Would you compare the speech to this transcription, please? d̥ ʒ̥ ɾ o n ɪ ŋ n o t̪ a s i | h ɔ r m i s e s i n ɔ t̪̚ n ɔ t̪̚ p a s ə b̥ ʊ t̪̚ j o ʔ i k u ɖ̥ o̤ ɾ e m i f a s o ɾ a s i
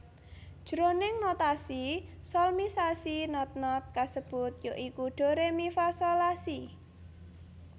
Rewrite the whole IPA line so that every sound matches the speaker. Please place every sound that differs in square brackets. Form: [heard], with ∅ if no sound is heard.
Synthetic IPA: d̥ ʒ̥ ɾ o n ɪ ŋ n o t̪ a s i | [s] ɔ [l] m i s [a] s i n ɔ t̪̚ n ɔ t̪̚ [k] a s ə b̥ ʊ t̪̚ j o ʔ i k u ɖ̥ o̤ ɾ e m i f a s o [l] a s i